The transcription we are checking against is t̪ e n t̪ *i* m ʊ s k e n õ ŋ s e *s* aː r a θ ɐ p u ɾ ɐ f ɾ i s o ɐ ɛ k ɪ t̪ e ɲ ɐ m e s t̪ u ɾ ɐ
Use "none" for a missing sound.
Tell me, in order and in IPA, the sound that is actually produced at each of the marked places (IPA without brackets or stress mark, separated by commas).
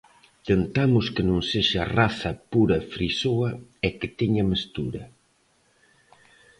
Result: a, ʃ